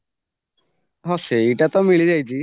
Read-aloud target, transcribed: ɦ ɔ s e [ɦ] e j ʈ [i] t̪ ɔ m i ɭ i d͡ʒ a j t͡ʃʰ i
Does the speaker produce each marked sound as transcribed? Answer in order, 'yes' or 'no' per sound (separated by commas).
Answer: no, no